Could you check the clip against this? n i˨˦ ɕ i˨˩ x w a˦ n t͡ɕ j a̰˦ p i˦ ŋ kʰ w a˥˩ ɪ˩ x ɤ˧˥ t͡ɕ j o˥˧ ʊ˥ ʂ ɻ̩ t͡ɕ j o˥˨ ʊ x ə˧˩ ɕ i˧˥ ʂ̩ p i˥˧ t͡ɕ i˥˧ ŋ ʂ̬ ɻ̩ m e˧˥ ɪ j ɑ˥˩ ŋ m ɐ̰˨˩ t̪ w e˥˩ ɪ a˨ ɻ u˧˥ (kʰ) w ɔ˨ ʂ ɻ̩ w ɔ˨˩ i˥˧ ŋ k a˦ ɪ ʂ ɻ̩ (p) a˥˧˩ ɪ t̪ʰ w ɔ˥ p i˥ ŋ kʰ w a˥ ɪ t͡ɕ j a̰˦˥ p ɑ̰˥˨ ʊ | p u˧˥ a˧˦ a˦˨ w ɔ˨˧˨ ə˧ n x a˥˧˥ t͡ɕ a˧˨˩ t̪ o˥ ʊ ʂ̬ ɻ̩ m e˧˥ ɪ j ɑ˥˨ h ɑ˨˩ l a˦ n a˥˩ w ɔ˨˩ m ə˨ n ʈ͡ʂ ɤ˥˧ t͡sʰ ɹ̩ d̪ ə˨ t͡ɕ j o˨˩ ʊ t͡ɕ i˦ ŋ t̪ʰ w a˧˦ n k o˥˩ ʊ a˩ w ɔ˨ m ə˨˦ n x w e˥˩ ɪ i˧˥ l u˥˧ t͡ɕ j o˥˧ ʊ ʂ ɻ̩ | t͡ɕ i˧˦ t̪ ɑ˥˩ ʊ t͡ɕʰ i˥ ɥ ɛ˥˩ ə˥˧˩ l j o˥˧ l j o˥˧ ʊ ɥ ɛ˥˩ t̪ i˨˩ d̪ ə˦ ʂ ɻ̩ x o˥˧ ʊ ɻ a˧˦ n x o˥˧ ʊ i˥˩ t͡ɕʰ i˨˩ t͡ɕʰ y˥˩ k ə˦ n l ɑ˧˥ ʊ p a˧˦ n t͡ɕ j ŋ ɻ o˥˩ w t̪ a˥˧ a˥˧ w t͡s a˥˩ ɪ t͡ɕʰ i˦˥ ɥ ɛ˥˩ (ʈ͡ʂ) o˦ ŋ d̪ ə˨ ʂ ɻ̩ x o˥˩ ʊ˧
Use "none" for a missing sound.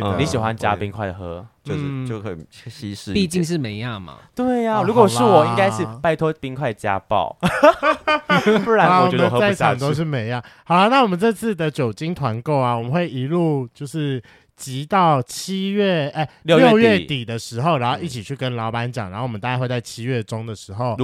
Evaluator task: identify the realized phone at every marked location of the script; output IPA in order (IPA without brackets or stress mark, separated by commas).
k, p, ʈ͡ʂ